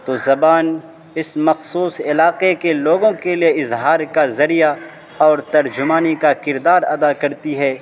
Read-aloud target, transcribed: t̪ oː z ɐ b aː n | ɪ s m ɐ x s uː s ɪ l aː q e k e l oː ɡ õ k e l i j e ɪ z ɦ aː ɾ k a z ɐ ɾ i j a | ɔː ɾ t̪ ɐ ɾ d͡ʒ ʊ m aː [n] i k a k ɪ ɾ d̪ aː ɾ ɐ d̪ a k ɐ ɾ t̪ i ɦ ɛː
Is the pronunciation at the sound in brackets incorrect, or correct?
correct